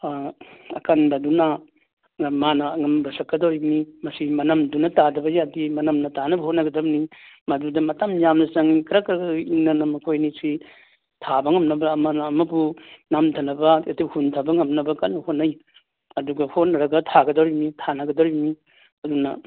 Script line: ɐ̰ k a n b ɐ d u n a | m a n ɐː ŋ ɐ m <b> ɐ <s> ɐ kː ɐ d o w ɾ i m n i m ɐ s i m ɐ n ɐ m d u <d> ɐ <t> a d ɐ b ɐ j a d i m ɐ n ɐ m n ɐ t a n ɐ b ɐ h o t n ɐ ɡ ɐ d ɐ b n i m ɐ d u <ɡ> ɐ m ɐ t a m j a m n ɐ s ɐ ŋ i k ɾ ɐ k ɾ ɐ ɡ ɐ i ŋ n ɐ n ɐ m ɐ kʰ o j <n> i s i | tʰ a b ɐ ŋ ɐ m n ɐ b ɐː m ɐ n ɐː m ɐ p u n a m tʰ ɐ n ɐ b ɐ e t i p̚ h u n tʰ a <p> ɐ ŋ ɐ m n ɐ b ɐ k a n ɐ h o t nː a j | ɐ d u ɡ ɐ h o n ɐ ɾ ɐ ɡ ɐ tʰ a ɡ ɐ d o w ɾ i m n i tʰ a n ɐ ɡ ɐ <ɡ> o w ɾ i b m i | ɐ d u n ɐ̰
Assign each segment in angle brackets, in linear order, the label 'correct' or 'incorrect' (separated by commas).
correct, correct, incorrect, correct, incorrect, correct, incorrect, incorrect